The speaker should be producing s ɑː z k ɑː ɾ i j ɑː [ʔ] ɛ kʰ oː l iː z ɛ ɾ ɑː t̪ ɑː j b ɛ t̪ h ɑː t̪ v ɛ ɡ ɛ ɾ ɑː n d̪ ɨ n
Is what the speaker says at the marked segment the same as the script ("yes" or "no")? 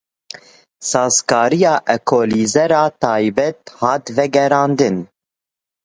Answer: yes